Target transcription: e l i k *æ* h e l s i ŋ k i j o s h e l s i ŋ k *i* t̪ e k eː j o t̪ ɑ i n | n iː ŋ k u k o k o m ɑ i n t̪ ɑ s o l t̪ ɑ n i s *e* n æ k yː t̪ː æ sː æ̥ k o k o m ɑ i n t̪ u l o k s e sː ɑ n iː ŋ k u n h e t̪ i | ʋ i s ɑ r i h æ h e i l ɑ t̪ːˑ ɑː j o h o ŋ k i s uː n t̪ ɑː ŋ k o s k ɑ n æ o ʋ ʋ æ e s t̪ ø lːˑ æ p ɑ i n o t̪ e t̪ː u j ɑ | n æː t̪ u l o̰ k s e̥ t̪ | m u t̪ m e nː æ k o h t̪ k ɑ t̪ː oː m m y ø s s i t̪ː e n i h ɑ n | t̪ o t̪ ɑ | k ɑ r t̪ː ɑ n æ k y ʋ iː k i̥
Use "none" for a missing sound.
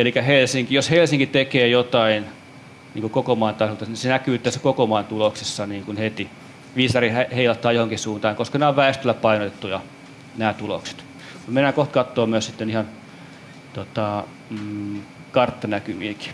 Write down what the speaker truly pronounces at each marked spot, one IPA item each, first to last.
æ, i, e

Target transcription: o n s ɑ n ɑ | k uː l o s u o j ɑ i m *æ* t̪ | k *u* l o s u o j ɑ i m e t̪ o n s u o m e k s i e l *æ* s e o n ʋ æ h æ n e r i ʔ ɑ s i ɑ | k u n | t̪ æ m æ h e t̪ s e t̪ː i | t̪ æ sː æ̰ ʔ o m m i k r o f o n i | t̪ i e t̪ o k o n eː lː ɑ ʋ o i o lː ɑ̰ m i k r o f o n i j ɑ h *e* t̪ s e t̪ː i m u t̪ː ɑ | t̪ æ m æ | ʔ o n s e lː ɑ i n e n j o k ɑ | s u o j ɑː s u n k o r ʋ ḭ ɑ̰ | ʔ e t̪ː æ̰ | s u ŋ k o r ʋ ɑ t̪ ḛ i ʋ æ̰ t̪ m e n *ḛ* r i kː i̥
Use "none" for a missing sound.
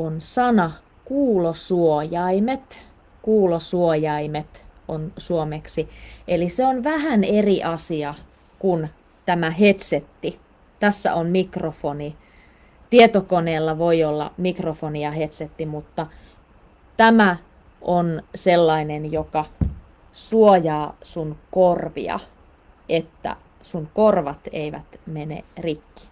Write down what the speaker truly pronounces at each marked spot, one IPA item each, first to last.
e, uː, i, e, ḛ

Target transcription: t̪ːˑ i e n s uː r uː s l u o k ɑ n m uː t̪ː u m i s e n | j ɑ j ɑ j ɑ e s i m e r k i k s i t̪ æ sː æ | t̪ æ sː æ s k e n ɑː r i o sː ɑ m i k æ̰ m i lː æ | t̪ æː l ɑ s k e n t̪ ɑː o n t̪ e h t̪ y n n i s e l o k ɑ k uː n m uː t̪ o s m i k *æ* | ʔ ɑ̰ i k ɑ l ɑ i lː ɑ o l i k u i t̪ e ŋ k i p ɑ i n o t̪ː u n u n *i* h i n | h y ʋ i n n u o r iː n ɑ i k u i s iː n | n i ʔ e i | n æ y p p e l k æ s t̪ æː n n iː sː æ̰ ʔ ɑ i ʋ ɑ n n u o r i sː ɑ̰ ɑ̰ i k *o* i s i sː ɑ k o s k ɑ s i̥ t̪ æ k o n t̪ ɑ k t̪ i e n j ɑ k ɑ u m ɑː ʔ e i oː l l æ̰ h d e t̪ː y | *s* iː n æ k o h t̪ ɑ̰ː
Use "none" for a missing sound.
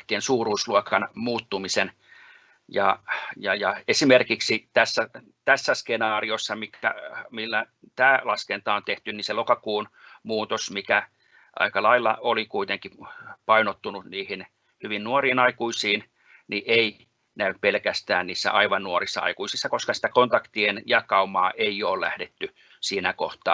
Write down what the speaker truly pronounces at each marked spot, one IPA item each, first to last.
æ, iː, u, s

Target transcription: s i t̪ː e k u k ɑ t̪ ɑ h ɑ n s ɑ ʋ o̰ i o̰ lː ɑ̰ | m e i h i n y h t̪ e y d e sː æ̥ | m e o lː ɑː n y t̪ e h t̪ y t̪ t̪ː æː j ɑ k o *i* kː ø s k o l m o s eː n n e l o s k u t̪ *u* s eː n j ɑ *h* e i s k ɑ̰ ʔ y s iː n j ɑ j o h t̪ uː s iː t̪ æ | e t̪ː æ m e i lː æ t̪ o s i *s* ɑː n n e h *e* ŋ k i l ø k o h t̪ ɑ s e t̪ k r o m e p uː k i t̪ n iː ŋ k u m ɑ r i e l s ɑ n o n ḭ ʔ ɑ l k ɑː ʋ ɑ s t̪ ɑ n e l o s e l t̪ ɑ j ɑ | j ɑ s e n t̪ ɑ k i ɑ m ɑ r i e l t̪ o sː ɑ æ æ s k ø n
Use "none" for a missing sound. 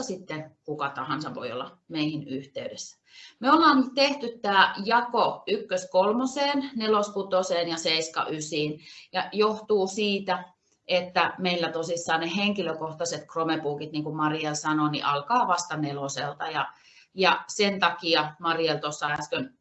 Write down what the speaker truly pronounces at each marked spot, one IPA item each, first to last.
y, o, s, sː, e

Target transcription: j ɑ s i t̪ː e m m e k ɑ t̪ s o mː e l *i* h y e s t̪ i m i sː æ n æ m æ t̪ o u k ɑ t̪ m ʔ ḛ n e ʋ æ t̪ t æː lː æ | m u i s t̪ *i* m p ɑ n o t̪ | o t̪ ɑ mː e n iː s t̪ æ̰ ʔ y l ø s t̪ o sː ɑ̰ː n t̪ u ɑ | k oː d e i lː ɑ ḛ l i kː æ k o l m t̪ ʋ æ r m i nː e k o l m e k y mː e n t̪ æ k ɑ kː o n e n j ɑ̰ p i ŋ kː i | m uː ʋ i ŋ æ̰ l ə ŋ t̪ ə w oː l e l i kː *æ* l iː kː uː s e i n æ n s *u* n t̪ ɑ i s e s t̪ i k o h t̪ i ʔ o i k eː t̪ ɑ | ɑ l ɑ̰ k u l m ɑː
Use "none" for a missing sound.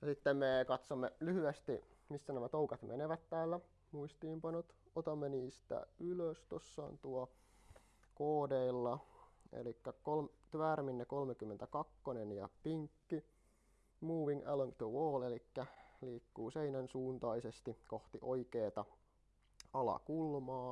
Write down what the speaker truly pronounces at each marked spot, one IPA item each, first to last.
y, iː, æ, uː

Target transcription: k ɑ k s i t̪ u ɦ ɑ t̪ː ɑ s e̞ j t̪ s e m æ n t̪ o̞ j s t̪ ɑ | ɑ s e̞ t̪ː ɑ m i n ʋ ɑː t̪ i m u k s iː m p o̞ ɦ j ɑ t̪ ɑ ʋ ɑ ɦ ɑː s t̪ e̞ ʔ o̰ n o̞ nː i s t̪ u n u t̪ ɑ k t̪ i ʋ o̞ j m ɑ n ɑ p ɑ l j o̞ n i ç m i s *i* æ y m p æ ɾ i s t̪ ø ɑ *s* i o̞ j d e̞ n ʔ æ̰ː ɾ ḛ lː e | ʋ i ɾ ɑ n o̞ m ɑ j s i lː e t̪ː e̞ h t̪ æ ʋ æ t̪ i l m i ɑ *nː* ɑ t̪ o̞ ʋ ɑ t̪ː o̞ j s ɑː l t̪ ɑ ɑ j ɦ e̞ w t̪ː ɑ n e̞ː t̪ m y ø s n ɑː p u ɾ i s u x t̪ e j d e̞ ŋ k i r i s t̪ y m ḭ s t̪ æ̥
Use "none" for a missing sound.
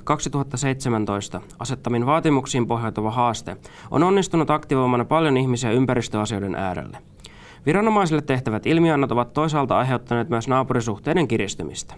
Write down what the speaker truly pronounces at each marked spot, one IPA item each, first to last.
i, s, nː

